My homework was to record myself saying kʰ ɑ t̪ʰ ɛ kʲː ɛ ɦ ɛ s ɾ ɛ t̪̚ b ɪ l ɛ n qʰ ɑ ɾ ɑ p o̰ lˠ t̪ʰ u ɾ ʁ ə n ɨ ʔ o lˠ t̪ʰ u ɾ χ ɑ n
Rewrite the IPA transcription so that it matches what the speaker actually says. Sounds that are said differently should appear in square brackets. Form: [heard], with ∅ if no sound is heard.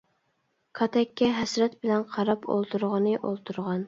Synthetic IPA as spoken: kʰ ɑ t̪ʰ ɛ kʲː ɛ ɦ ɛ s ɾ ɛ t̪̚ b ɪ l ɛ n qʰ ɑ ɾ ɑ p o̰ lˠ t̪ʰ u ɾ ʁ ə n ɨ ʔ o lˠ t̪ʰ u ɾ [ʁ] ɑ n